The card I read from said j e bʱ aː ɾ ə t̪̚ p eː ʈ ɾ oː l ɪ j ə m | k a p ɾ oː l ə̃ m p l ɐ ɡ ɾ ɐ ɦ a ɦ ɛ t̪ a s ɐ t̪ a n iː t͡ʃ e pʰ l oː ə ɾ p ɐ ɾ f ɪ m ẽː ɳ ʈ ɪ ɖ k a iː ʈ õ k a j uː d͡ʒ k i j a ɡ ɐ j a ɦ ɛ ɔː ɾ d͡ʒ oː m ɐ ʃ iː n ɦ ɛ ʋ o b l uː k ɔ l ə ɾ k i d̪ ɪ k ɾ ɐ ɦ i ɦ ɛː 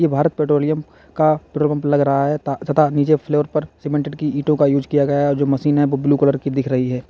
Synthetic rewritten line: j e bʱ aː ɾ ə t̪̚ p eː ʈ ɾ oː l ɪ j ə m | k a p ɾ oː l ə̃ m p l ɐ ɡ ɾ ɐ ɦ a ɦ ɛ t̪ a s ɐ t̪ a n iː t͡ʃ e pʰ l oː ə ɾ p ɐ ɾ s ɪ m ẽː ɳ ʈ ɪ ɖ k i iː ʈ õ k a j uː d͡ʒ k i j a ɡ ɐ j a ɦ ɛ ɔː ɾ d͡ʒ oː m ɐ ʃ iː n ɦ ɛ ʋ o b l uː k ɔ l ə ɾ k i d̪ ɪ kʰ ɾ ɐ ɦ i ɦ ɛː